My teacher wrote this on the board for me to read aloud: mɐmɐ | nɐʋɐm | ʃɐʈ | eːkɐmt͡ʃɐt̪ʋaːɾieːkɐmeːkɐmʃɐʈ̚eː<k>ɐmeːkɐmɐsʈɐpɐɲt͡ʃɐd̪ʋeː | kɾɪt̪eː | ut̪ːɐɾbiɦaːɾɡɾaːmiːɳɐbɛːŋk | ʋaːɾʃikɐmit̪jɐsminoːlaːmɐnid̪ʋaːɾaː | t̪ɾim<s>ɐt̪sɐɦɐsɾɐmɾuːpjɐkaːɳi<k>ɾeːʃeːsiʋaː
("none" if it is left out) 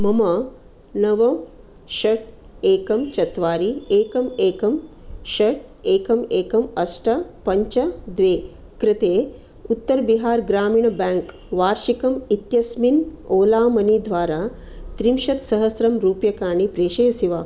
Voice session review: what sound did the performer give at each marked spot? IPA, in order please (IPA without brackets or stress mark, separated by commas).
k, ʃ, p